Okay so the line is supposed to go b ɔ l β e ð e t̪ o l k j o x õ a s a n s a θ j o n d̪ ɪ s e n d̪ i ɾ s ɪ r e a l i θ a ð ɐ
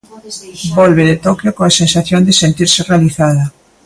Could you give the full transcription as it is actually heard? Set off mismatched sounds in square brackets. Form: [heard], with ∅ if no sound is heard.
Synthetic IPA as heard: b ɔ l β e ð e t̪ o [∅] k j o [k] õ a s [e] n s a θ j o n d̪ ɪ s e n [t̪] i ɾ s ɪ r e a l i θ a ð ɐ